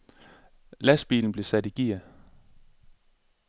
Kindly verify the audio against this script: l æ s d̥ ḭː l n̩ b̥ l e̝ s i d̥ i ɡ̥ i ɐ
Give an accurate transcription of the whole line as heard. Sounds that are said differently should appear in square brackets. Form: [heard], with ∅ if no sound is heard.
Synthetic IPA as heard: l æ s [b̥] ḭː l n̩ b̥ l e̝ s [æ] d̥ i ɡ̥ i ɐ

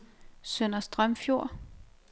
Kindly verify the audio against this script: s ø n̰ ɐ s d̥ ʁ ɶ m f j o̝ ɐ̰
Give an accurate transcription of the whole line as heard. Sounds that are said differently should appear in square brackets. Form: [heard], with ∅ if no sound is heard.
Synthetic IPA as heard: s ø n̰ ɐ s d̥ ʁ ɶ m f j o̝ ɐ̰

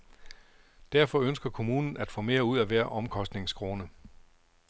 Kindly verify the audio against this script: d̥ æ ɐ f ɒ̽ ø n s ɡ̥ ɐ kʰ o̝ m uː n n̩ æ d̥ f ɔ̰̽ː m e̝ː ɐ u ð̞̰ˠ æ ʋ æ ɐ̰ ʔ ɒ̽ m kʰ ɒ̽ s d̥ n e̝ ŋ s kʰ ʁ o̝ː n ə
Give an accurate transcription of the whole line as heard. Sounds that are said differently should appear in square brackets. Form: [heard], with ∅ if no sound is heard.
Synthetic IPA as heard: d̥ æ ɐ f ɒ̽ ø n s ɡ̥ ɐ kʰ o̝ m uː n n̩ æ d̥ f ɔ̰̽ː m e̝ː ɐ u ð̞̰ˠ æ ʋ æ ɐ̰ ʔ ɒ̽ m kʰ ɒ̽ s d̥ n e̝ ŋ s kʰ ʁ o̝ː n ə

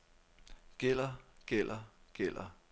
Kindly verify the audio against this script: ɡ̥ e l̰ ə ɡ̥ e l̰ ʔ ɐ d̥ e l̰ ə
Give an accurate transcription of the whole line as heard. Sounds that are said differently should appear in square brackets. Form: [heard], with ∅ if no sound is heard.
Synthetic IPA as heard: ɡ̥ e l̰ [ɐ] ɡ̥ e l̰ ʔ ɐ [ɡ̥] e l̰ [ɐ]

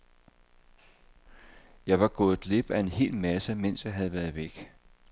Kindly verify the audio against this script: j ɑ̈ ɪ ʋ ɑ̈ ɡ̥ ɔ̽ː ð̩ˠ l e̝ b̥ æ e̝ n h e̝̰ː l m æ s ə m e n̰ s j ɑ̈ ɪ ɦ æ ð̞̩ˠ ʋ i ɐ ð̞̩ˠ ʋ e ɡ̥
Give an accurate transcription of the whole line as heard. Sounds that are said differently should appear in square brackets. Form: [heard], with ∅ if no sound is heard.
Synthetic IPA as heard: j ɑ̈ ɪ ʋ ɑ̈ ɡ̥ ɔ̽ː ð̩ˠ l e̝ b̥ æ e̝ n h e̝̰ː l m æ s ə m e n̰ s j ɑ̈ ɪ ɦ æ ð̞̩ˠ ʋ [æ] ɐ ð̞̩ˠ ʋ e ɡ̥

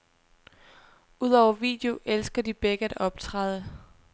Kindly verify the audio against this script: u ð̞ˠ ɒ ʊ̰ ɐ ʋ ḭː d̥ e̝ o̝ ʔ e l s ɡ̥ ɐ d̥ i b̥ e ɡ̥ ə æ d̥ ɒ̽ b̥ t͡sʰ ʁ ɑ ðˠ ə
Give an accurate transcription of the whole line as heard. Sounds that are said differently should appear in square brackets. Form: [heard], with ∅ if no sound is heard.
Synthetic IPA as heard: u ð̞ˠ ɒ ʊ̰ ɐ ʋ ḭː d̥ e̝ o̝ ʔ e l s ɡ̥ ɐ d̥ i b̥ e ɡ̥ ə æ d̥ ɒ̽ b̥ t͡sʰ ʁ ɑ ðˠ ə

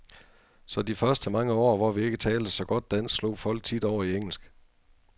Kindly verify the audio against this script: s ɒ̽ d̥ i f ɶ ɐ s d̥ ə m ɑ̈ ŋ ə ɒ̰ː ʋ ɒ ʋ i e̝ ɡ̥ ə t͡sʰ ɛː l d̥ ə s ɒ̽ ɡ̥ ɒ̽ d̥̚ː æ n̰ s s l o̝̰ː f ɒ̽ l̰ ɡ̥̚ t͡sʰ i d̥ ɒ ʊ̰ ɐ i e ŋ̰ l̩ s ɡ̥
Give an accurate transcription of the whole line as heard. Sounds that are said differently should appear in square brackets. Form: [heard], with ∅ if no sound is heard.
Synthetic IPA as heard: s ɒ̽ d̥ i f ɶ ɐ s d̥ ə m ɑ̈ ŋ ə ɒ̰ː ʋ ɒ ʋ i e̝ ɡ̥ ə t͡sʰ ɛː l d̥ ə s ɒ̽ ɡ̥ ɒ̽ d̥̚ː æ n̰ s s l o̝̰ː f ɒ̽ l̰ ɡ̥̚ t͡sʰ i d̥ ɒ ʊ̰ ɐ i e ŋ̰ l̩ s ɡ̥

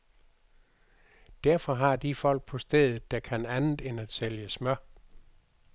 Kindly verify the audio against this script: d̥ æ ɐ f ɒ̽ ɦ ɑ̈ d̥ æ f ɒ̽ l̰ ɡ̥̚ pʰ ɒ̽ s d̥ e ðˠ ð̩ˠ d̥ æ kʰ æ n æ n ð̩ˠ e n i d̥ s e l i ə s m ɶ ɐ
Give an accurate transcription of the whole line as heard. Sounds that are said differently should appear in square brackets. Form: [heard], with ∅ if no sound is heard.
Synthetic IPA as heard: d̥ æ ɐ f ɒ̽ ɦ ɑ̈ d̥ [i] f ɒ̽ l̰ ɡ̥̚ pʰ ɒ̽ s d̥ e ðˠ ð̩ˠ d̥ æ kʰ æ n æ n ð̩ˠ e n [æ] d̥ s e l [j] ə s m ɶ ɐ

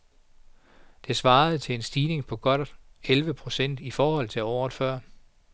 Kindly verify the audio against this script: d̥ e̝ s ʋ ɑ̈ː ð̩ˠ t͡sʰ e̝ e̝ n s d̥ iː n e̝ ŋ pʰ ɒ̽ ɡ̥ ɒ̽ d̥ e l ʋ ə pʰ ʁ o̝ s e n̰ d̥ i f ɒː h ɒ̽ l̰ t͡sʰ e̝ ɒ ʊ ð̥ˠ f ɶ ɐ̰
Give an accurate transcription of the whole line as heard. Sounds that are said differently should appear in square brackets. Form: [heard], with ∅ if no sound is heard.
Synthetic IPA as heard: d̥ e̝ s ʋ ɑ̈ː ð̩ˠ t͡sʰ e̝ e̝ n s d̥ iː n e̝ ŋ pʰ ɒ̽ ɡ̥ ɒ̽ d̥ e l ʋ ə pʰ ʁ o̝ s e n̰ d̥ i f ɒː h ɒ̽ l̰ t͡sʰ e̝ ɒ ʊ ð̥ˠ f ɶ ɐ̰

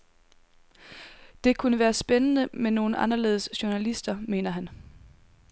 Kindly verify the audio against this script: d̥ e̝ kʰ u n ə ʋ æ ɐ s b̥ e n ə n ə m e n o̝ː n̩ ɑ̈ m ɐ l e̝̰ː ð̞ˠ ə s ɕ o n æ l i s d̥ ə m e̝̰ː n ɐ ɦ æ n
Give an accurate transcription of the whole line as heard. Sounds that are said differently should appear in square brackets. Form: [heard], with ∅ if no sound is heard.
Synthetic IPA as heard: d̥ e̝ kʰ u n ə ʋ [æː] ɐ s b̥ e n ə n ə m e n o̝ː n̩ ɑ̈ [n] ɐ l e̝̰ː ð̞ˠ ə s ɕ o n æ l i s d̥ [ɐ] m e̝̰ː n ɐ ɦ æ n

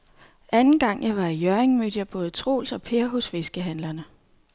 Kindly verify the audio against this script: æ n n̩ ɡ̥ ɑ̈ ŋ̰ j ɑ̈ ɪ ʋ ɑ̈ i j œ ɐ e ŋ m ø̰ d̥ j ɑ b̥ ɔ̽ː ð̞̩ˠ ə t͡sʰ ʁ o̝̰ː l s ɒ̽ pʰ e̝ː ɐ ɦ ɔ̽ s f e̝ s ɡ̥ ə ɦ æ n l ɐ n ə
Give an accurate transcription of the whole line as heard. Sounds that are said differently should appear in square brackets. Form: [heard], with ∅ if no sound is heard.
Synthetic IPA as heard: æ n n̩ ɡ̥ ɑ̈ ŋ̰ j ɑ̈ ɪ ʋ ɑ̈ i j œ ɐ e ŋ m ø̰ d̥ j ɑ b̥ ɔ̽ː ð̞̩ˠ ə t͡sʰ ʁ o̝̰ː l s ɒ̽ pʰ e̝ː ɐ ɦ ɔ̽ s f e̝ s ɡ̥ ə ɦ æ n l ɐ n ə

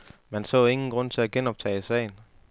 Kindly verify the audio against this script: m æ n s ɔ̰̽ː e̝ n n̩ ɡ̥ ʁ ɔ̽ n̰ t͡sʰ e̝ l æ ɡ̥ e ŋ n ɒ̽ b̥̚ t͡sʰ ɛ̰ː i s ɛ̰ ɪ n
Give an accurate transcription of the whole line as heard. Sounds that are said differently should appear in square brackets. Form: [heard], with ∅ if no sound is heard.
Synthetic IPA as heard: m æ n s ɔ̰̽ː e̝ [ŋ] n̩ ɡ̥ ʁ ɔ̽ n̰ t͡sʰ e̝ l æ ɡ̥ e [∅] n ɒ̽ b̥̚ t͡sʰ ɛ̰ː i s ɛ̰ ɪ n

